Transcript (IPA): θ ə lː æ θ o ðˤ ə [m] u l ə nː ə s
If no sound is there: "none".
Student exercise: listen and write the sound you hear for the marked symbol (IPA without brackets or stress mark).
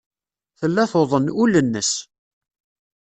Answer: n